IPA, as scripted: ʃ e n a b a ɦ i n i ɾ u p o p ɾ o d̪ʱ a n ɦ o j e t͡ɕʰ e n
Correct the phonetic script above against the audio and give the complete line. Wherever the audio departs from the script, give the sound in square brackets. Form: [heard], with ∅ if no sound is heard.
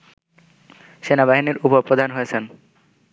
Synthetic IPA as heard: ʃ e n a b a ɦ i n i ɾ u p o p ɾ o d̪ʱ a n ɦ o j e t͡ɕʰ e n

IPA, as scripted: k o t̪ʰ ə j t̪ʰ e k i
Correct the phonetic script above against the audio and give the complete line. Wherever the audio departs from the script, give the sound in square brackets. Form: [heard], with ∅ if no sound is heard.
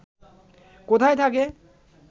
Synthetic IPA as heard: k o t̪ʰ [a] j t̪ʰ [a] k [e]

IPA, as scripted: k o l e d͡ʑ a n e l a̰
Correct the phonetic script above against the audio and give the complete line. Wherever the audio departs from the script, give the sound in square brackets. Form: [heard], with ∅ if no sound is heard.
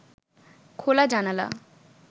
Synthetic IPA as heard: [kʰ] o l [a] d͡ʑ a n [a] l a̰

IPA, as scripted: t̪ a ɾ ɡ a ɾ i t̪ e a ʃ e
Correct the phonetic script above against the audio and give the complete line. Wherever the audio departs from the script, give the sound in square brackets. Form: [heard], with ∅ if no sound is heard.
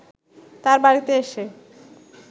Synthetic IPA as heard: t̪ a ɾ [b] a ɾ i t̪ e [e] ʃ e

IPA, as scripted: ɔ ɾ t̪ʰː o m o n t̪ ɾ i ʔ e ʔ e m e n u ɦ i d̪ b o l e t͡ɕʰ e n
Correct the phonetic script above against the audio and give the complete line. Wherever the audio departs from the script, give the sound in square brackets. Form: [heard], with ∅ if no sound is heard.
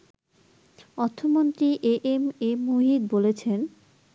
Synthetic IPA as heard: ɔ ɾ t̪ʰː o m o n t̪ ɾ i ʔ e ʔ e m e [m] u ɦ i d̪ b o l e t͡ɕʰ e n

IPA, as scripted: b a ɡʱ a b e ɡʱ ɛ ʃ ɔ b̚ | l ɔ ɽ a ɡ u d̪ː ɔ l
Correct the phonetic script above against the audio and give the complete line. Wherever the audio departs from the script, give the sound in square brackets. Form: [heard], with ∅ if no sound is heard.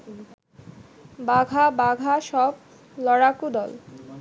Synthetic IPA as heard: b a ɡʱ a b [a] ɡʱ [a] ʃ ɔ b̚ | l ɔ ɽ a [k] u [d̪] ɔ l

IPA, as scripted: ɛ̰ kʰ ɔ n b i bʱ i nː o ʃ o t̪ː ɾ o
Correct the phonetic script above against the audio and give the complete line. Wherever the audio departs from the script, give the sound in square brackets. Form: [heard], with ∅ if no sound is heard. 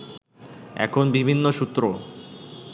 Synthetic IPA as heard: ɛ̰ kʰ [o] n b i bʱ i nː o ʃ [u] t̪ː ɾ o

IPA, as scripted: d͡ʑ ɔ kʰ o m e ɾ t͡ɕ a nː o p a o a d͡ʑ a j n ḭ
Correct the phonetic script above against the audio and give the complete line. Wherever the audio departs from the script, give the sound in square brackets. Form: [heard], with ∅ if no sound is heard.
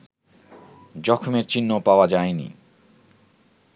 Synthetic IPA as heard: d͡ʑ ɔ kʰ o m e ɾ t͡ɕ [i] nː o p a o a d͡ʑ a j n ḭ

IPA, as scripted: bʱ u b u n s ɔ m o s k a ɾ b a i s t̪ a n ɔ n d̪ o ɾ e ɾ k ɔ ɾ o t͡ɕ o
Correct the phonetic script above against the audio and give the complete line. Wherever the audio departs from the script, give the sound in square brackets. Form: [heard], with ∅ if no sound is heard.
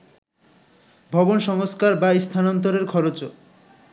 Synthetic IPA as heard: bʱ [ɔ] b [o] n [ʃ] ɔ [ŋ] o s k a ɾ b a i s [t̪ʰ] a n ɔ n [t̪] o ɾ e ɾ [kʰ] ɔ ɾ o t͡ɕ o

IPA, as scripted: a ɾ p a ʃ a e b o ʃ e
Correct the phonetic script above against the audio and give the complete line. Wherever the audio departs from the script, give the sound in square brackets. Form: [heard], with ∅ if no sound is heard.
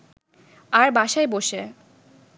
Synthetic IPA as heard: a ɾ [b] a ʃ a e b o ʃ e

